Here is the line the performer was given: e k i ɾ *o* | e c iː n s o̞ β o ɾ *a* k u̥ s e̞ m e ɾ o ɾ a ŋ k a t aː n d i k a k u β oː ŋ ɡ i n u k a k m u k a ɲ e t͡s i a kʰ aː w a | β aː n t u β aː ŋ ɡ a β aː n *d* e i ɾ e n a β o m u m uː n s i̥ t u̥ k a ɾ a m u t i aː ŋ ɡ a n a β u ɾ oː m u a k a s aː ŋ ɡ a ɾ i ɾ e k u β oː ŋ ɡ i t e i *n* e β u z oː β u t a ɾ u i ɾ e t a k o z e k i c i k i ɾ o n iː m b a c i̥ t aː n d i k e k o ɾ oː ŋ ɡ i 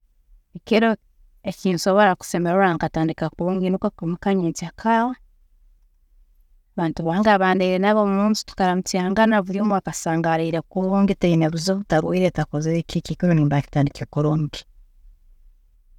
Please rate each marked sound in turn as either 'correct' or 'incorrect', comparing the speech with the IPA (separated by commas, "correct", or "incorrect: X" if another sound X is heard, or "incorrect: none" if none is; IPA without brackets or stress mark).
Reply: correct, correct, correct, correct